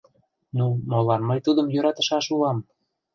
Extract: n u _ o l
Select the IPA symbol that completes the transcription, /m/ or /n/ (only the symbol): m